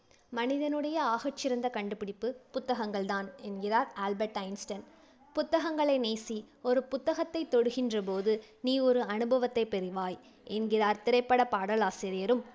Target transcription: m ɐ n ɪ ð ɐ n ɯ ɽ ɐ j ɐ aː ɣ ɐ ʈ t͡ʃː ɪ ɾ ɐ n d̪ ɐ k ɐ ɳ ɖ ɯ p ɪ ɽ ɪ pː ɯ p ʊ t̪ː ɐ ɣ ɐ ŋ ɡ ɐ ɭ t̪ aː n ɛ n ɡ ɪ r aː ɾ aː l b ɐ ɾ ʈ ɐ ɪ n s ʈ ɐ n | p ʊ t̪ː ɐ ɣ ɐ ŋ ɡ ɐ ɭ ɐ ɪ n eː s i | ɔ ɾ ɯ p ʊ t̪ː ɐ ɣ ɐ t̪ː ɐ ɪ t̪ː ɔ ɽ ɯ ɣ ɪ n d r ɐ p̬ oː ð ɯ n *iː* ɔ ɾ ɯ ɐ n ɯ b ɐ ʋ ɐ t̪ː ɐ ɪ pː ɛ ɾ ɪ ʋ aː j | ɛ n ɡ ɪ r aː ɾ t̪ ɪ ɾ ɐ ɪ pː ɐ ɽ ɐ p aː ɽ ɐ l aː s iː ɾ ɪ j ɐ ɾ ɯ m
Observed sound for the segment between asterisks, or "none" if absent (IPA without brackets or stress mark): iː